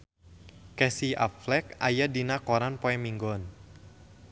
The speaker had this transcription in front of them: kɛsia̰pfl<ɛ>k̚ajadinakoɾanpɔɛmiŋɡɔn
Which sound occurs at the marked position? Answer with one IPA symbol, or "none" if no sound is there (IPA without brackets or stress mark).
ɛ